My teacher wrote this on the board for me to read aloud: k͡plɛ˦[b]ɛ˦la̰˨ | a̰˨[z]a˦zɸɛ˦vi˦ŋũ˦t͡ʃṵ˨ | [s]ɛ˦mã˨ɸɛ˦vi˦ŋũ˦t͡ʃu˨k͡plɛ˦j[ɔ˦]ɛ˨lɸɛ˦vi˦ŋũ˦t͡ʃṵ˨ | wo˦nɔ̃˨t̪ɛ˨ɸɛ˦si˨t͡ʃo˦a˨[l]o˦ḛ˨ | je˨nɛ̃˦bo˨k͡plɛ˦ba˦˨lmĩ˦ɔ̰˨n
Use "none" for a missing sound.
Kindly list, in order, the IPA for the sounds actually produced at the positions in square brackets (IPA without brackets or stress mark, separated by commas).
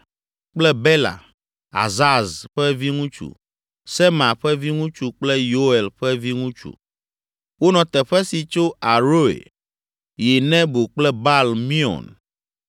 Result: b, z, s, o˦, ɾ